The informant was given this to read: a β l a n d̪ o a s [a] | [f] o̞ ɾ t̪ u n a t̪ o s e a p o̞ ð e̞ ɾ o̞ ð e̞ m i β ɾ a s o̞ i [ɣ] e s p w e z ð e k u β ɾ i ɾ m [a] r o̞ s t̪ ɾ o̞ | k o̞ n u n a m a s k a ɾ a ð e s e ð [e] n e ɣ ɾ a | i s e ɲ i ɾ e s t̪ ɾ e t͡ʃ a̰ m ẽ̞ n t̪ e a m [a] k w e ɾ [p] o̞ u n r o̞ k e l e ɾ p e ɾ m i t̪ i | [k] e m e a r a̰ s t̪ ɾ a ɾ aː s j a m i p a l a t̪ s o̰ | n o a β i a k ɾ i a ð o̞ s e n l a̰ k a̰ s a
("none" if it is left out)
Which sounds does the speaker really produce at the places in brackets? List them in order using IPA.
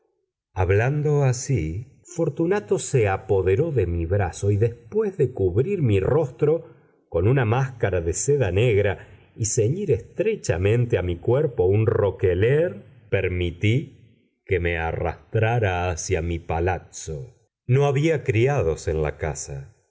i, f, ð, i, a, i, p, k

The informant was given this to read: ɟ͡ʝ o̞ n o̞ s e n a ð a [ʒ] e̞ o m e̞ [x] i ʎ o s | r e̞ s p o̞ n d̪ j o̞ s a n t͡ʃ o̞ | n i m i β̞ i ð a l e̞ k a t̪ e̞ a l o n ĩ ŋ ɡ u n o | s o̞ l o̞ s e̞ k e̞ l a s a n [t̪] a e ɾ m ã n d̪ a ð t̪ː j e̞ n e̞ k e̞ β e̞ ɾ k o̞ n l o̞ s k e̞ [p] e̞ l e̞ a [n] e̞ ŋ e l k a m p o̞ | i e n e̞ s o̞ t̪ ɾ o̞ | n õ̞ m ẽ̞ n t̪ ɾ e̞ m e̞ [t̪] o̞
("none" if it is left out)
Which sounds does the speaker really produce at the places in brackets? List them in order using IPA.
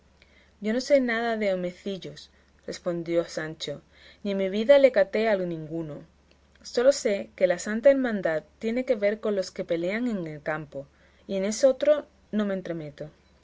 ð, θ, t̪, p, ŋ, t̪

